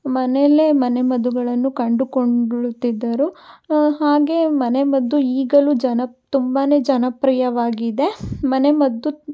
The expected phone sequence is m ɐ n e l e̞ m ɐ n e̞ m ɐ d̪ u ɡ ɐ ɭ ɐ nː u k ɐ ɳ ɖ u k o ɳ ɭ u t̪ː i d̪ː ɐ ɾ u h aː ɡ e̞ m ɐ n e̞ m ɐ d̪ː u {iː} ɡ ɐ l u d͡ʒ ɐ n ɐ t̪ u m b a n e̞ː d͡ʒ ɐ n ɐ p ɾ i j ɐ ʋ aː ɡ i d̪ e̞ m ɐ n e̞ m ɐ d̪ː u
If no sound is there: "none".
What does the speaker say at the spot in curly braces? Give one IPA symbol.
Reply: iː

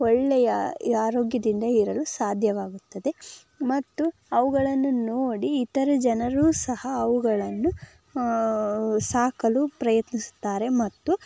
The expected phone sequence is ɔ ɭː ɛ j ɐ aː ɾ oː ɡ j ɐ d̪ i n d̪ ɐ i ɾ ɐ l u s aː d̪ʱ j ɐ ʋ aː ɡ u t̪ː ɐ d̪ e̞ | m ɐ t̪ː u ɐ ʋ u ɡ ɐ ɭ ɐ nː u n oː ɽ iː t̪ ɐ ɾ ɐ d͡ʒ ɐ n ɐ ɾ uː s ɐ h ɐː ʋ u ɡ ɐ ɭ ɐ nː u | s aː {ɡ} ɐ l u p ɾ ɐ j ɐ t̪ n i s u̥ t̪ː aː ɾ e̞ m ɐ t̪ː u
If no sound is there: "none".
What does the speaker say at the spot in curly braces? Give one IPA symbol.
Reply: k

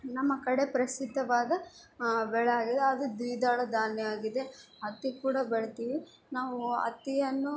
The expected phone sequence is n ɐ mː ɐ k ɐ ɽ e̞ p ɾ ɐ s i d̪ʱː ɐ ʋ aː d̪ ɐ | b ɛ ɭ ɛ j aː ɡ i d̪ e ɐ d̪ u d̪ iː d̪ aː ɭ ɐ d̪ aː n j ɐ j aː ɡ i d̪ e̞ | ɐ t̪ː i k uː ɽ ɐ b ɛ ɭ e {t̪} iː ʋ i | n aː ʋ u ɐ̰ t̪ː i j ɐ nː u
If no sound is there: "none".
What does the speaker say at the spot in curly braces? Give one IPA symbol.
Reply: t̪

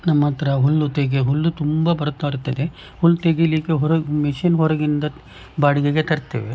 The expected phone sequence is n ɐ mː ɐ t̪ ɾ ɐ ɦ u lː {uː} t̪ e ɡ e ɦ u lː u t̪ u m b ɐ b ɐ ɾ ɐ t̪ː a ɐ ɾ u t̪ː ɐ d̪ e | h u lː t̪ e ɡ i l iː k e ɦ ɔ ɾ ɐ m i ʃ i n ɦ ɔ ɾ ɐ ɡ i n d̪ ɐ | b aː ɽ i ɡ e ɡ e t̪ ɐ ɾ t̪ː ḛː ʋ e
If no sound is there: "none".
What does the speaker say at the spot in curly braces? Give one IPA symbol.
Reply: u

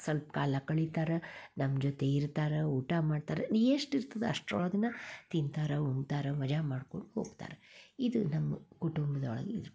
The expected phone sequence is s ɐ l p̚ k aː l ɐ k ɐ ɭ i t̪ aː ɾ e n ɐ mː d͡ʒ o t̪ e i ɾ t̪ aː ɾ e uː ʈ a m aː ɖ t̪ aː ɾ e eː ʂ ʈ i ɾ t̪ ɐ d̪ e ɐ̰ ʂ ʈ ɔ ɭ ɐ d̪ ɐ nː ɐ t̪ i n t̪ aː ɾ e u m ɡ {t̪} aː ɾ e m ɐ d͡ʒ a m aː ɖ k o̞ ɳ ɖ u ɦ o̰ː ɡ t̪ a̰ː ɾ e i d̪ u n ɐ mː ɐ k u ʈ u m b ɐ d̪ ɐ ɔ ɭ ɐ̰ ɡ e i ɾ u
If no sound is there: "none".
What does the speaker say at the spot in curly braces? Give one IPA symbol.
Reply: t̪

